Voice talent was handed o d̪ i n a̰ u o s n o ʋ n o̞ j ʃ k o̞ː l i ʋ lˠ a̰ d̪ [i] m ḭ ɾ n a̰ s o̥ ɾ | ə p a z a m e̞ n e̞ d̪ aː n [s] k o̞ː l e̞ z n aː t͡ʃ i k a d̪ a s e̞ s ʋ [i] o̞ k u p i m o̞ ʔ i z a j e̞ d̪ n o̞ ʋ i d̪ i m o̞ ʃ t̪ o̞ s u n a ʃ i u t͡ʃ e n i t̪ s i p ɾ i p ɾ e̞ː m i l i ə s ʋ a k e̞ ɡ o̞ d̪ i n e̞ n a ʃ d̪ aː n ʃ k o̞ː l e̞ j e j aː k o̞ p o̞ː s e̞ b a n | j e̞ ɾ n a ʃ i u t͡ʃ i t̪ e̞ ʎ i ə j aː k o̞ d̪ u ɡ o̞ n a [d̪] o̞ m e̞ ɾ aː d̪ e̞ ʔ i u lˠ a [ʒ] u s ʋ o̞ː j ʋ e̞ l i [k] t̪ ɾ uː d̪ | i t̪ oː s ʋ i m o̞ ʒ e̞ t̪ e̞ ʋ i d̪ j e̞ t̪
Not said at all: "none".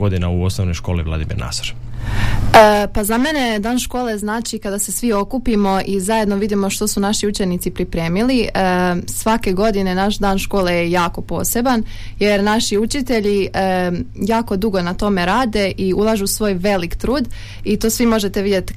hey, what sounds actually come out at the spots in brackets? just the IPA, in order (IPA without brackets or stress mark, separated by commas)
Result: i, ʃ, i, t̪, ʒ, k